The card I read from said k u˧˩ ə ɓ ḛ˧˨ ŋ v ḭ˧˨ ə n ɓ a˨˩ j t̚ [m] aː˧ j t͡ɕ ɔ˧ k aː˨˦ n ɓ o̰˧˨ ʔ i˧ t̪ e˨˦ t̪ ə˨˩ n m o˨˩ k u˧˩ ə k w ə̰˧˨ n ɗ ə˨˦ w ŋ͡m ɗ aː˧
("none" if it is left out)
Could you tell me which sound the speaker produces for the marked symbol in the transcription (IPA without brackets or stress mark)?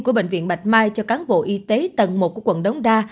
m